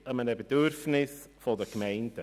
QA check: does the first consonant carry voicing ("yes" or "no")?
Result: yes